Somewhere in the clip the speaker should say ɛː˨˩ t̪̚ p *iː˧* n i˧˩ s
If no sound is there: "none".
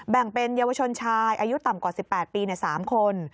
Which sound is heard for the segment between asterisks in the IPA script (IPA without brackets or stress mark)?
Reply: iː˧